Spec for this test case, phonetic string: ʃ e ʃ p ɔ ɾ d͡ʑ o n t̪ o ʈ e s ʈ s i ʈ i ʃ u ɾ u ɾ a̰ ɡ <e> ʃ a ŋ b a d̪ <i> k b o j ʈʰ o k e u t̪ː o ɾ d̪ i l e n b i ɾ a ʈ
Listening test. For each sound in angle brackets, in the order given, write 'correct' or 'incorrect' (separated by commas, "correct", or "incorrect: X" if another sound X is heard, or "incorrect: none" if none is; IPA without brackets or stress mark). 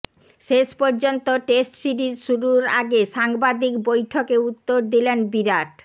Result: correct, correct